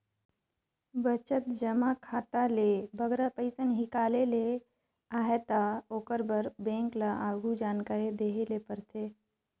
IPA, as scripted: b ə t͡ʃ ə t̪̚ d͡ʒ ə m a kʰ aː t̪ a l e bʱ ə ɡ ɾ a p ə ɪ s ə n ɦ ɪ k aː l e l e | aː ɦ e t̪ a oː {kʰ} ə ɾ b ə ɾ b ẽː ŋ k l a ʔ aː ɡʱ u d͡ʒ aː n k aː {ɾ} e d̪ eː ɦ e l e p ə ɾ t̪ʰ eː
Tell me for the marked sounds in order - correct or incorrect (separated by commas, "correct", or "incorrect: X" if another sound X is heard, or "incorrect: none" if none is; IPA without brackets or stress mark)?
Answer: incorrect: k, correct